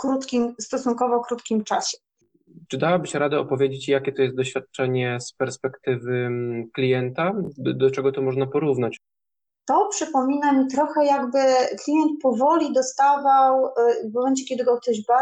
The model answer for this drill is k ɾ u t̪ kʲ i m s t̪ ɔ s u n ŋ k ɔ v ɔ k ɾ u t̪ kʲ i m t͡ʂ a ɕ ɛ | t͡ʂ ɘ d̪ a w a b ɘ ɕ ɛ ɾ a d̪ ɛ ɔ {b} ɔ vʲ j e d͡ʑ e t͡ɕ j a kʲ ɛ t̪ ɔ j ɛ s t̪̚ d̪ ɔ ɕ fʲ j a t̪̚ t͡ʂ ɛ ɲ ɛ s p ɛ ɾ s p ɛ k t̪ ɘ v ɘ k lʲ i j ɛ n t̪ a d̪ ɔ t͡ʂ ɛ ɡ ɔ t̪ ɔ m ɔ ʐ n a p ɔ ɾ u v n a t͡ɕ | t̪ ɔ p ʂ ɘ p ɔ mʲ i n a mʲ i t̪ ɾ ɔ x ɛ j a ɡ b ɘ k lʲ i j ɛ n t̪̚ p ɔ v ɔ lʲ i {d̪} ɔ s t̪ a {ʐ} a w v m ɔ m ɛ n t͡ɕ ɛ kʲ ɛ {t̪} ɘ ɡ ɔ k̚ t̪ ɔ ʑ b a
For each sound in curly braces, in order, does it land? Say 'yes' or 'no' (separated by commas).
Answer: no, yes, no, no